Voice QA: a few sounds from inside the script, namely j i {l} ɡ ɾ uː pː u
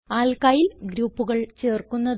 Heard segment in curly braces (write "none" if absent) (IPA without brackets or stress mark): l